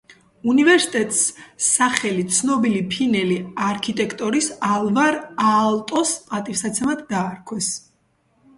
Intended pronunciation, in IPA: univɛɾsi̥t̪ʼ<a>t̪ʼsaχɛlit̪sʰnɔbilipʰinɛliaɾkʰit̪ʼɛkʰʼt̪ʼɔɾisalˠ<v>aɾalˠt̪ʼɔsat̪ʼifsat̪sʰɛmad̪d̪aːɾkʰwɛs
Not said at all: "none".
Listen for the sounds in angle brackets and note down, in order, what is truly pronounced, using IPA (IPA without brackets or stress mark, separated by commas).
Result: ɛ, v